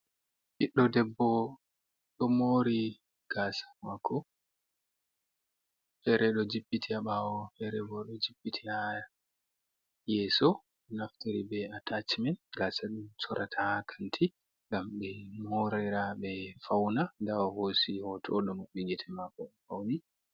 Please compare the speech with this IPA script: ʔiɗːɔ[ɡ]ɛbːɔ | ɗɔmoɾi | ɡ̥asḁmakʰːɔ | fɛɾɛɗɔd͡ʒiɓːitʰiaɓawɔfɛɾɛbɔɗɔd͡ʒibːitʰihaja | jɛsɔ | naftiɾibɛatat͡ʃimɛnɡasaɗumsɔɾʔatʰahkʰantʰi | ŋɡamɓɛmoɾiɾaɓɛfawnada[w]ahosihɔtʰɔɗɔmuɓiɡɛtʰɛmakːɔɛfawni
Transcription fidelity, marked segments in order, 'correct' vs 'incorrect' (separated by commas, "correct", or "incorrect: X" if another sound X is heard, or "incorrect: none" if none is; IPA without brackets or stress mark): incorrect: d, correct